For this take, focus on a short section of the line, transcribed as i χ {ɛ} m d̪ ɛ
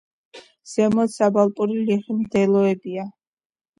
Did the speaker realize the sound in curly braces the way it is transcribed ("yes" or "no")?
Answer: no